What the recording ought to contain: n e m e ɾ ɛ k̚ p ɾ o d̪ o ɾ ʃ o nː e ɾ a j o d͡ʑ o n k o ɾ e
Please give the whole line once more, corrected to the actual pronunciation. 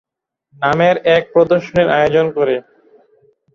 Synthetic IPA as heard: n a m e ɾ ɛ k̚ p ɾ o d̪ o ɾ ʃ o n e ɾ a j o d͡ʑ o n k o ɾ e